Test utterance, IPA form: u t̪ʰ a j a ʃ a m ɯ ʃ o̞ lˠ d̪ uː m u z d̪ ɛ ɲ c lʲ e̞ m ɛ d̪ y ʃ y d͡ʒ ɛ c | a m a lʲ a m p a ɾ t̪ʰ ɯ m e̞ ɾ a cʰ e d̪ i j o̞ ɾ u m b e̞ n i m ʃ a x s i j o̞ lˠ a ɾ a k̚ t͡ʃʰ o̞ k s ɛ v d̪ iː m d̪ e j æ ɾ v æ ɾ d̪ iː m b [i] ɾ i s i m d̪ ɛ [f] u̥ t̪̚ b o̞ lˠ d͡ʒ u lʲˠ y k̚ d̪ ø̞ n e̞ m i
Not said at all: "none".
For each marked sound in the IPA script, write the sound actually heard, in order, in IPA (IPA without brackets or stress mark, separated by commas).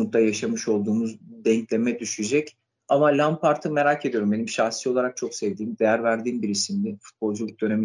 i, f